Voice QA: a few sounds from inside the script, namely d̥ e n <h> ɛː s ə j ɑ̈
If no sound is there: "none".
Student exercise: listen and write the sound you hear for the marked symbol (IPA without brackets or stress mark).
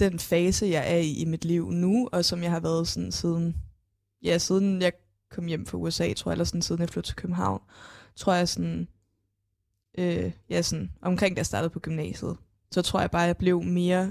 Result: f